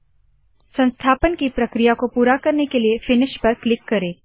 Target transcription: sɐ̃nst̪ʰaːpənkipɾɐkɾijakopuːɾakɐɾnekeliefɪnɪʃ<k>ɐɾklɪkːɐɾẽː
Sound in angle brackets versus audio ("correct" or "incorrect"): incorrect